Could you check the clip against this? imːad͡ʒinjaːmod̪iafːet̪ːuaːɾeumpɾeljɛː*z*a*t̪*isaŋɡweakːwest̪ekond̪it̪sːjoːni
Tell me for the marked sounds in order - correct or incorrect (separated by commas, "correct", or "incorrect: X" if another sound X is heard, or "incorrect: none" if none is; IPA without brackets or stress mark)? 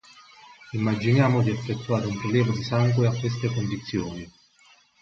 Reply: incorrect: v, incorrect: d̪